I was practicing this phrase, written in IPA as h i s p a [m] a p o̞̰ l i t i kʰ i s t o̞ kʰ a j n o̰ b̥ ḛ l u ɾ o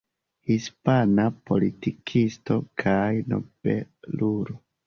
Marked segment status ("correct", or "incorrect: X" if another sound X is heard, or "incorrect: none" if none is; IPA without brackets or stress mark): incorrect: n